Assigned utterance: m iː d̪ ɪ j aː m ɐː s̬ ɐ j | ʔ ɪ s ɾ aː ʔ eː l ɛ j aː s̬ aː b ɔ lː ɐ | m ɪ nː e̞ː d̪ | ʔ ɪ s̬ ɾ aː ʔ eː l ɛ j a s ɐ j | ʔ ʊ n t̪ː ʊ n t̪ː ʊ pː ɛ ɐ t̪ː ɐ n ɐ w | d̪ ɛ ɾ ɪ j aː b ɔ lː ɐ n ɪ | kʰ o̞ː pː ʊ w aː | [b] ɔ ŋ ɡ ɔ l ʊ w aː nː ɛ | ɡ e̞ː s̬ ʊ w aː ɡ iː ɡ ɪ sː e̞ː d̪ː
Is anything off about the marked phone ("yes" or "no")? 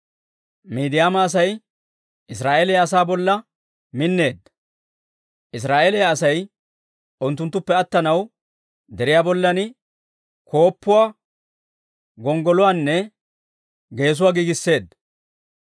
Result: yes